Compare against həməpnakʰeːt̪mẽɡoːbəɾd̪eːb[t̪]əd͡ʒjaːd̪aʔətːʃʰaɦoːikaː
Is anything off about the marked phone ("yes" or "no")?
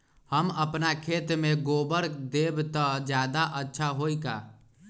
no